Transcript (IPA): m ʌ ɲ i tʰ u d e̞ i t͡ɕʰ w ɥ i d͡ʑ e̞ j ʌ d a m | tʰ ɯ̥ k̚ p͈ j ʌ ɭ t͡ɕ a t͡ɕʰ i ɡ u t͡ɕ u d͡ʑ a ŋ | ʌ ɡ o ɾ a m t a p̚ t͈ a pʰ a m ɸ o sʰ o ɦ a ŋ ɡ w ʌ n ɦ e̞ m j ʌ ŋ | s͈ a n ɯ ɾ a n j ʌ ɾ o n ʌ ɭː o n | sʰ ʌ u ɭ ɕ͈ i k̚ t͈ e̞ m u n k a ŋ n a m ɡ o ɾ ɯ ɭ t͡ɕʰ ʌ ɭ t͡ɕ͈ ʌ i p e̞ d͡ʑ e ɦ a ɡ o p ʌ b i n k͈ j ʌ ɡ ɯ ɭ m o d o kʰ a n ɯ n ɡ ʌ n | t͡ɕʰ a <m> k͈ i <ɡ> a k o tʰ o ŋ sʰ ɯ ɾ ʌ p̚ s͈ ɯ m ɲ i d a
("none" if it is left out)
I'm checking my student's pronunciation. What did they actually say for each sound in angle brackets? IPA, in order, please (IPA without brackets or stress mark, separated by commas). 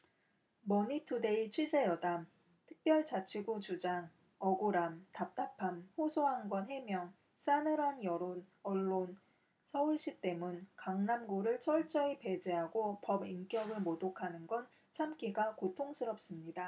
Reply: m, ɡ